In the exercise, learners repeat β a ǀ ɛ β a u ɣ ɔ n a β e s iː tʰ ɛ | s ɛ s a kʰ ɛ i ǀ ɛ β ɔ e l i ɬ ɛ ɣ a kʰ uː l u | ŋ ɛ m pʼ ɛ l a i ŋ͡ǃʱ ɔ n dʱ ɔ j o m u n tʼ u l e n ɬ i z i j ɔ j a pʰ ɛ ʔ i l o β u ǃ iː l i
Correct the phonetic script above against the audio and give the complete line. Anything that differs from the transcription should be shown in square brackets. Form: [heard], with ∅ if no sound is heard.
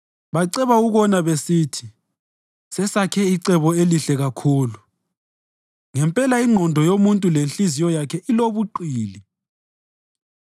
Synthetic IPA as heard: β a ǀ ɛ β a u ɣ ɔ n a β e s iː tʰ [i] | s ɛ s a kʰ ɛ i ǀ ɛ β ɔ e l i ɬ ɛ ɣ a kʰ uː l u | ŋ ɛ m pʼ ɛ l a i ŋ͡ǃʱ ɔ n dʱ ɔ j o m u n tʼ u l e n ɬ i z i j ɔ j a [kʰ] ɛ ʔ i l o β u ǃ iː l i